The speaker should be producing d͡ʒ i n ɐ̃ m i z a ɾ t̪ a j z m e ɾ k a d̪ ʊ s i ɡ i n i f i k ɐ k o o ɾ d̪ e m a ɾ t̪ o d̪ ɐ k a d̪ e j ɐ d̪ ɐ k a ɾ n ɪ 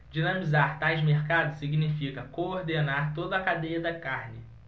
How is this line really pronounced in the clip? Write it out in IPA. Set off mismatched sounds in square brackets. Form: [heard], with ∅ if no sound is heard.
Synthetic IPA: d͡ʒ i n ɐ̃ m i z a ɾ t̪ a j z m e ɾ k a d̪ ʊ s i ɡ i n i f i k ɐ k o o ɾ d̪ e [n] a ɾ t̪ o d̪ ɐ k a d̪ e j ɐ d̪ ɐ k a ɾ n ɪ